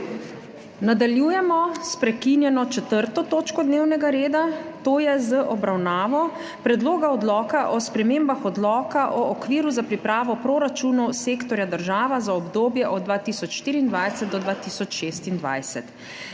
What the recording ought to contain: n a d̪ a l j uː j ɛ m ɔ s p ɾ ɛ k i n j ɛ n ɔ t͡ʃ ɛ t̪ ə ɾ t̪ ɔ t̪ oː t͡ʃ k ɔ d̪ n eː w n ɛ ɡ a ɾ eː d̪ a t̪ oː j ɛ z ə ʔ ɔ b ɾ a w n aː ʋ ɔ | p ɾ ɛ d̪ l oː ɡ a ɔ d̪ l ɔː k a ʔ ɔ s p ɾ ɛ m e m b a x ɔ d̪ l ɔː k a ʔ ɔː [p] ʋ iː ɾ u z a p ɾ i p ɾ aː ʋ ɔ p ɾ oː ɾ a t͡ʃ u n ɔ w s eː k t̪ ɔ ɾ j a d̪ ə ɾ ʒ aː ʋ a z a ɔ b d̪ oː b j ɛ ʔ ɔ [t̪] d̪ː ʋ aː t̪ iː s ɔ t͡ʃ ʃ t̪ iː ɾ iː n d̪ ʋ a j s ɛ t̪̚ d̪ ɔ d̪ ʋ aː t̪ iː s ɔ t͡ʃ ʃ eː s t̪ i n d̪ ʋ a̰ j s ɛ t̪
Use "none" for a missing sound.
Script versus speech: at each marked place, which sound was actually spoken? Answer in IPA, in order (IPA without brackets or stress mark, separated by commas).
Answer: k, d̪